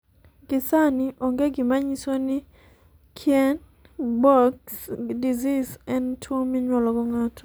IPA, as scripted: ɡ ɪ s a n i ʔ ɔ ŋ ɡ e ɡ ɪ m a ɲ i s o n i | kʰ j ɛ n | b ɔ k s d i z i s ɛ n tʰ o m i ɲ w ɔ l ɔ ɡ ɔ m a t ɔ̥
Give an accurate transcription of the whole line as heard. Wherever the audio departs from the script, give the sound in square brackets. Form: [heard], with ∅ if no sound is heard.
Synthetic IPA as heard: ɡ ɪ s a n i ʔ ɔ ŋ ɡ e ɡ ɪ m a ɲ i s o n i | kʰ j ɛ n | b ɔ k s d i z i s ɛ n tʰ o m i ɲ w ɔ l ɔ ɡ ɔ [ŋ] a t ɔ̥

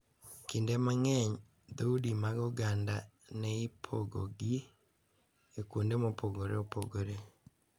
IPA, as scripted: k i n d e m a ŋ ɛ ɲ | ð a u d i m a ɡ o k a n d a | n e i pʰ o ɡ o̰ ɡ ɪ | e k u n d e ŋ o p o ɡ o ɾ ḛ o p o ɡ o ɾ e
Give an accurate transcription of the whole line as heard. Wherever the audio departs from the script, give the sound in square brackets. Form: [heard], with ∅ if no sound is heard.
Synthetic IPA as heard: k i n d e m a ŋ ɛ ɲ | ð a u d i m a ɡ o [ɡ] a n d a | n e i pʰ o ɡ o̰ ɡ [i] | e k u n d e [m] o p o ɡ o ɾ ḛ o p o ɡ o ɾ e

